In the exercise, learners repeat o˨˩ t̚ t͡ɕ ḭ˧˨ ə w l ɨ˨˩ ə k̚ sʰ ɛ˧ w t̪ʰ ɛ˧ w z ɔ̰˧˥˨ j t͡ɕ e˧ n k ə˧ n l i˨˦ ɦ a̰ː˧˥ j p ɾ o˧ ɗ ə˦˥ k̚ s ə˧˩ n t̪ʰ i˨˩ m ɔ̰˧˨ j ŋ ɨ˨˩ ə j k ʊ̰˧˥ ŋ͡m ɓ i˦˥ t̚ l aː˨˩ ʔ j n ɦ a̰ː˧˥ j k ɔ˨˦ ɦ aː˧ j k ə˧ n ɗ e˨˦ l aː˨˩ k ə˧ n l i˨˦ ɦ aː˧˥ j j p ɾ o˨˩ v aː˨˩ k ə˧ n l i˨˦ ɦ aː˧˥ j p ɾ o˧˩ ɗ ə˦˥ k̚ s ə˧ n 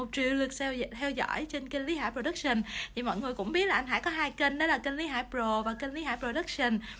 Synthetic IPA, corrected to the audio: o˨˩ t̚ t͡ɕ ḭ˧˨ ə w l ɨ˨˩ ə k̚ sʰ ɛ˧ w t̪ʰ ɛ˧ w z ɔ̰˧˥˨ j t͡ɕ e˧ n k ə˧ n l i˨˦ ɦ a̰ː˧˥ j p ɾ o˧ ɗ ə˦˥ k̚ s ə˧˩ n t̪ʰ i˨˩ m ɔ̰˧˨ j ŋ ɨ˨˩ ə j k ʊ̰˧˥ ŋ͡m ɓ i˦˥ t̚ l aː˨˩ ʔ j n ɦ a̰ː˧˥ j k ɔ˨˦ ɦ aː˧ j k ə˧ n ɗ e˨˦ l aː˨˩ k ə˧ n l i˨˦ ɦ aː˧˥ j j p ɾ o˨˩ v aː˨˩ k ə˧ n l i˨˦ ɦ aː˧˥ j p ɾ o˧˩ ɗ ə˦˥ k̚ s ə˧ n